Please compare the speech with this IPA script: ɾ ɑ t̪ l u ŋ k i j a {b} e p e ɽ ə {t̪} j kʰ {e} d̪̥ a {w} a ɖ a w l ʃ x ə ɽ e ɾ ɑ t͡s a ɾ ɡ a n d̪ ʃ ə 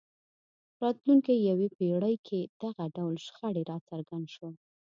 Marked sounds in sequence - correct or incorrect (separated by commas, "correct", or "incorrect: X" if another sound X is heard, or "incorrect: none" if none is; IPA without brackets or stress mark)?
incorrect: w, incorrect: none, correct, incorrect: ɣ